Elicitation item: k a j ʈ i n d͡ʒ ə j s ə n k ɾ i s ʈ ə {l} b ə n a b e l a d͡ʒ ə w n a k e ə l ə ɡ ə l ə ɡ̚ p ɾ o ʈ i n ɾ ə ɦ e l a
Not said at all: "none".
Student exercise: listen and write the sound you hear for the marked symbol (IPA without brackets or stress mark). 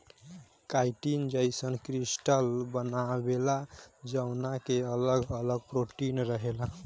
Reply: l